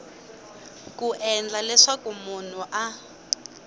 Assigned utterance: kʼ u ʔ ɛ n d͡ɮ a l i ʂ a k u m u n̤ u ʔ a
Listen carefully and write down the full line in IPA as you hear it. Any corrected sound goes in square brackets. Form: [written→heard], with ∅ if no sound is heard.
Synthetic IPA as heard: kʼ u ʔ ɛ n d͡ɮ a l [i→ɛ] ʂ a k u m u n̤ u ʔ a